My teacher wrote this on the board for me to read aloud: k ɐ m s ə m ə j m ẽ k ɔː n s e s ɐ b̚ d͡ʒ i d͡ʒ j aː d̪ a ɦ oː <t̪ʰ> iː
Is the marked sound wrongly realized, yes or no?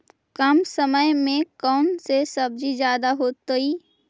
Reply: yes